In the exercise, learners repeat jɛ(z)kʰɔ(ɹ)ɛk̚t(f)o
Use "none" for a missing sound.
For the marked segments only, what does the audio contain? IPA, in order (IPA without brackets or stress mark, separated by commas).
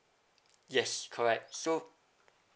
s, ɹ, s